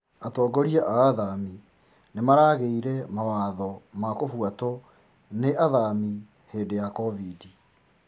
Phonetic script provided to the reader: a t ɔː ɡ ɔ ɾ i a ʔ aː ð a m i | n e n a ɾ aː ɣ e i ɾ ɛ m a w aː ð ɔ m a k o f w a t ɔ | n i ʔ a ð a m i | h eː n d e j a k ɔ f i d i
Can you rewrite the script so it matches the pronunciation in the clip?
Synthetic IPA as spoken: a t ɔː ɡ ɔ ɾ i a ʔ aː ð a m i | n e m a ɾ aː ɣ e i ɾ ɛ m a w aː ð ɔ m a k o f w a t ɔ | n e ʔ a ð a m i | h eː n d e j a k ɔ v i d i